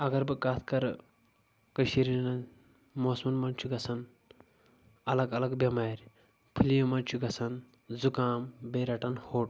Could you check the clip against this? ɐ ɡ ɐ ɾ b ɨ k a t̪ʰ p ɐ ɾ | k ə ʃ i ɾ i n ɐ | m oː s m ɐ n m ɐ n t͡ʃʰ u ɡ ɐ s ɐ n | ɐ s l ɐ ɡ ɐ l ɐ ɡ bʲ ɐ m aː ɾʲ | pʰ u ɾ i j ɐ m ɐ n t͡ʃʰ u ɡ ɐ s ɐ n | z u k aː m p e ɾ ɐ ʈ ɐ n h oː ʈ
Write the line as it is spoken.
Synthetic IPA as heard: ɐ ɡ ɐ ɾ b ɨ k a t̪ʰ k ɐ ɾ | k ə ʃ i ɾ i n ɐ | m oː s m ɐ n m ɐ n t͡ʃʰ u ɡ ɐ s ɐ n | ɐ l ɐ ɡ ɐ l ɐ ɡ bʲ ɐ m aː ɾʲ | pʰ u l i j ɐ m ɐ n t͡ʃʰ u ɡ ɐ s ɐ n | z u k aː m b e ɾ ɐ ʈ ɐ n h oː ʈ